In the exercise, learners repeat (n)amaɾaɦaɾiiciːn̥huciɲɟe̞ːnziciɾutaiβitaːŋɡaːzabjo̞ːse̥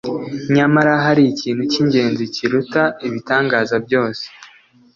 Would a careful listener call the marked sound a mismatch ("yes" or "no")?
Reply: yes